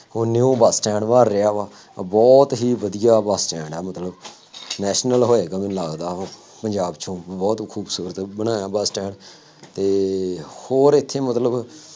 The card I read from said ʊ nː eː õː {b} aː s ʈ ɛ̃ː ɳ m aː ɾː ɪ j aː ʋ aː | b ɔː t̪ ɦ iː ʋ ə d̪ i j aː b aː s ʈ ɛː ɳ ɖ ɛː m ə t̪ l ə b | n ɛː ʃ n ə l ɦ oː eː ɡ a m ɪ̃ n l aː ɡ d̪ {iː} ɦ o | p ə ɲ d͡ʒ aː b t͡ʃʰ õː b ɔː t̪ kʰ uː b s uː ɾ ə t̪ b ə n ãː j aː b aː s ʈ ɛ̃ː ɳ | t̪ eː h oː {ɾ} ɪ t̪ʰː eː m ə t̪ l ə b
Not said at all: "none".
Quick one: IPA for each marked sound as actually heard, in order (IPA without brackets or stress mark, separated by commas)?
b, aː, ɾ